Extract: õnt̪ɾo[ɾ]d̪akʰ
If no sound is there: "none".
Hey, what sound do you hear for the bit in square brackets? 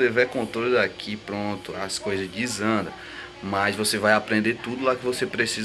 l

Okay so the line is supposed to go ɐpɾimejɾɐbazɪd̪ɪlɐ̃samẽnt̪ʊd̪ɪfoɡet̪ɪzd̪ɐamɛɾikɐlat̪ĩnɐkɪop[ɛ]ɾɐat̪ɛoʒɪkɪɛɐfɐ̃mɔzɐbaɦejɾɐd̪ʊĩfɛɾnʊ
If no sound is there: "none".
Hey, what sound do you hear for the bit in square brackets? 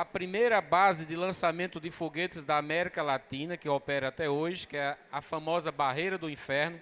ɛ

